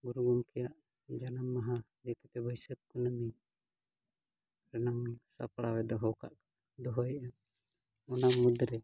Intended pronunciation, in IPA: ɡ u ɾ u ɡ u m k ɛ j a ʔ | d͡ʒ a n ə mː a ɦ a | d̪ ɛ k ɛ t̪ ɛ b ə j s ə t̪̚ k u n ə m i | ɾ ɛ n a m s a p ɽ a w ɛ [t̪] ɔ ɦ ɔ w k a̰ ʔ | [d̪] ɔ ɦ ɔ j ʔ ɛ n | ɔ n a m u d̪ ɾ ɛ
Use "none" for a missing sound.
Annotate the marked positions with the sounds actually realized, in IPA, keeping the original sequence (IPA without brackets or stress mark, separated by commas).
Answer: d̪, d̪